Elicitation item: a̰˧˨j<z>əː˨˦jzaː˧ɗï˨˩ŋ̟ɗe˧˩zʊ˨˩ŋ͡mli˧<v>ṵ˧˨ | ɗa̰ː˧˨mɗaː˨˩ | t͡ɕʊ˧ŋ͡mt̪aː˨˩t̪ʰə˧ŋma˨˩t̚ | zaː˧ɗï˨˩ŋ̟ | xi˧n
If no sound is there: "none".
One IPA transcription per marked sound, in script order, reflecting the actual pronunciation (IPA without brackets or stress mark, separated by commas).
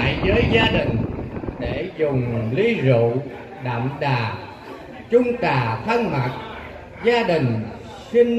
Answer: z, z